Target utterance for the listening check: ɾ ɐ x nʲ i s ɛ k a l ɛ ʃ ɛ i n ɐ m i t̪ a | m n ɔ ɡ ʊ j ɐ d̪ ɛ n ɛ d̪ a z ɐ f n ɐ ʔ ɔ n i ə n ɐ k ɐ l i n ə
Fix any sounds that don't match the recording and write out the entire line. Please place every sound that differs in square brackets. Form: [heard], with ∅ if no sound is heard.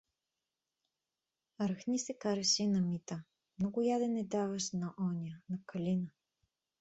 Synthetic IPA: ɾ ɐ x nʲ i s ɛ k a [ɾ] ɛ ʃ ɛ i n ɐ m i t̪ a | m n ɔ ɡ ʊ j [a] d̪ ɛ n ɛ d̪ a [v] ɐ [ʃ] n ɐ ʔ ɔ n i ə n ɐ k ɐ l i n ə